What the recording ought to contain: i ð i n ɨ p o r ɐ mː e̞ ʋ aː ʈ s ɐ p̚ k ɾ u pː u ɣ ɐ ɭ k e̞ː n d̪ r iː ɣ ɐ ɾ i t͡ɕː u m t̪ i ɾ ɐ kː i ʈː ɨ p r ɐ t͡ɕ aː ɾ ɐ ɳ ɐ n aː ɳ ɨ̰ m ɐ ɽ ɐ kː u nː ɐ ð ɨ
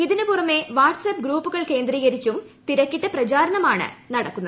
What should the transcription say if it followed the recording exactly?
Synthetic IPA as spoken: i ð i n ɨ p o r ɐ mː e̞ ʋ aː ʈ s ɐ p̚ ɡ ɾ uː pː u ɣ ɐ ɭ k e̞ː n d̪ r iː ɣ ɐ ɾ i t͡ɕː u m t̪ i ɾ ɐ kː i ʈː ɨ p r ɐ t͡ɕ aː ɾ ɐ ɳ ɐ m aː ɳ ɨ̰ n ɐ ɽ ɐ kː u nː ɐ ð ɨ